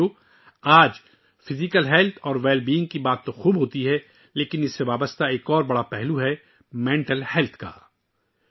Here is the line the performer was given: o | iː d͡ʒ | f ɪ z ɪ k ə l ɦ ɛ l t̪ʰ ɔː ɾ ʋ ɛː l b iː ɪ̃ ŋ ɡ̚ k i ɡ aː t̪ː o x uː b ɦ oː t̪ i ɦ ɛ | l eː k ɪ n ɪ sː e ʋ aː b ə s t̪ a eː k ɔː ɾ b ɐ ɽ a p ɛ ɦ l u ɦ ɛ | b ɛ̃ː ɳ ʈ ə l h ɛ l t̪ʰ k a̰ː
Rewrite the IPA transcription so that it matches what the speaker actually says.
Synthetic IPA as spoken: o | aː d͡ʒ | f ɪ z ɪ k ə l ɦ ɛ l t̪ʰ ɔː ɾ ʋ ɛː l b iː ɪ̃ ŋ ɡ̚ k i b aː t̪ː o x uː b ɦ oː t̪ i ɦ ɛ | l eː k ɪ n ɪ sː e ʋ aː b ə s t̪ a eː k ɔː ɾ b ɐ ɽ a p ɛ ɦ l u ɦ ɛ | m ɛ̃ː ɳ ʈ ə l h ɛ l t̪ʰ k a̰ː